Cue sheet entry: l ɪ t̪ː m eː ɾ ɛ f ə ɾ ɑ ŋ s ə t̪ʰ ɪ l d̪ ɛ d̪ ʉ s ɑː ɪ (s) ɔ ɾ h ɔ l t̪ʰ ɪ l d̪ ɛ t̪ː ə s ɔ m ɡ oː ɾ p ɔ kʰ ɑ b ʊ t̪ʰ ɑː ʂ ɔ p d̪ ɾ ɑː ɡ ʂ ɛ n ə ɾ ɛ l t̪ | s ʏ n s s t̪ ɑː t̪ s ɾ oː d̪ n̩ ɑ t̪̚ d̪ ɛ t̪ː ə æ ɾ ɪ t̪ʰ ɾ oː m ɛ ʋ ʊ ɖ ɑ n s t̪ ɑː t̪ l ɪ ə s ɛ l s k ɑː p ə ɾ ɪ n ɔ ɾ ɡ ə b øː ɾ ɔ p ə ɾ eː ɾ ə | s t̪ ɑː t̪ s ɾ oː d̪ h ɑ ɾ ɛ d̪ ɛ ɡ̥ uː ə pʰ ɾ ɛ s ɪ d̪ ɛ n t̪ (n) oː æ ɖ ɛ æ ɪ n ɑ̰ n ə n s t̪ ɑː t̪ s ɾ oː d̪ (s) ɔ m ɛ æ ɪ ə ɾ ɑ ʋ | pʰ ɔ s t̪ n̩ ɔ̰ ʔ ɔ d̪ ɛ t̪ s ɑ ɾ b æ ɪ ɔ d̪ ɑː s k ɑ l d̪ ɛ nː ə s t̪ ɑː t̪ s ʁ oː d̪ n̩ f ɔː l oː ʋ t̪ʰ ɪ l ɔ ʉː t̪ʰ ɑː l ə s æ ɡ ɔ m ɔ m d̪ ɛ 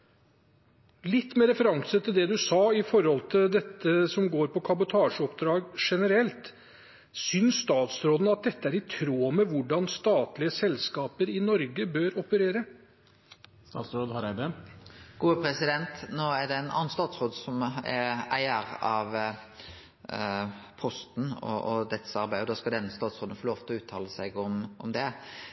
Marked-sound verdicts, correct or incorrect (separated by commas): incorrect, correct, correct